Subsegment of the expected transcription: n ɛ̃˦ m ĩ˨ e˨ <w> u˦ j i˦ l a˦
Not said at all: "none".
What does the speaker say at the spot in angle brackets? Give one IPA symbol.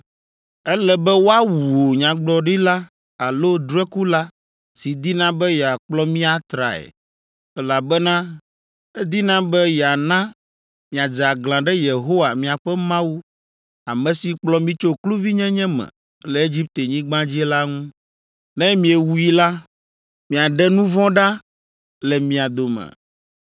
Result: w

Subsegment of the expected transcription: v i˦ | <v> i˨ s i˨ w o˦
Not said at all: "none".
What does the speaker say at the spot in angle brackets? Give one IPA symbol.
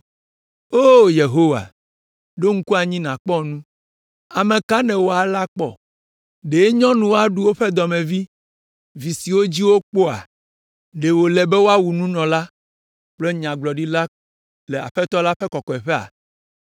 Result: v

